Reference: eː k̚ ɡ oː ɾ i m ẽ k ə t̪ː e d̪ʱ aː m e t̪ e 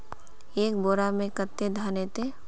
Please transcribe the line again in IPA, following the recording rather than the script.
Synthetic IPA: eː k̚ b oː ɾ a m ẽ k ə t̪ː e d̪ʱ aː n e t̪ e